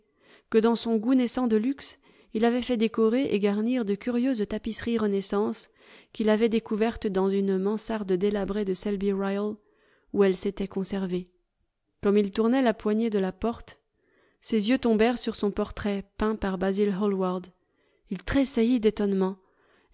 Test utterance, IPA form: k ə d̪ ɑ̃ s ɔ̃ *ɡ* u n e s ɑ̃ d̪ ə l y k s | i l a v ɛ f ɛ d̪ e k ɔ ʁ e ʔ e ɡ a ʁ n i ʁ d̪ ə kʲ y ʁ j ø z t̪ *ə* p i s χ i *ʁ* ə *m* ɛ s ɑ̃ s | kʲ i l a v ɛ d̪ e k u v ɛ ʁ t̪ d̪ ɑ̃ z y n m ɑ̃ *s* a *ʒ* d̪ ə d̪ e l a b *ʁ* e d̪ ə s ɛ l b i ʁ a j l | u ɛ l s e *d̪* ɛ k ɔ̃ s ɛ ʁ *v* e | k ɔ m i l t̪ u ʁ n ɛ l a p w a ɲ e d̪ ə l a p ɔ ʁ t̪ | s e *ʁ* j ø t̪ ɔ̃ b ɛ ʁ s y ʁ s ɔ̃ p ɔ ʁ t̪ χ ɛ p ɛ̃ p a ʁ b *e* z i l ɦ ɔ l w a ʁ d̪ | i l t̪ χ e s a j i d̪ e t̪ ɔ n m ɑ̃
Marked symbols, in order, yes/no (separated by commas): yes, no, yes, no, yes, no, yes, no, yes, no, no